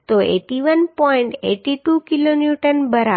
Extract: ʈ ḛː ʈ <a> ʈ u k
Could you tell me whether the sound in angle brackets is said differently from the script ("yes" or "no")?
yes